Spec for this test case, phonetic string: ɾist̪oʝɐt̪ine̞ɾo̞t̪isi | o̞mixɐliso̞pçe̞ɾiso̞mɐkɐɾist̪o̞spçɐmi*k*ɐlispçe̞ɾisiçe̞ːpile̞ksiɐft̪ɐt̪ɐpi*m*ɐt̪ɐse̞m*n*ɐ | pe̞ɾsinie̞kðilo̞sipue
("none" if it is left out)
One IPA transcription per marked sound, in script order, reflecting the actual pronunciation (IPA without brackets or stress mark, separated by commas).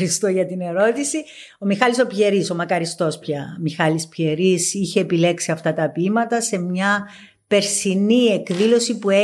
x, m, ɲ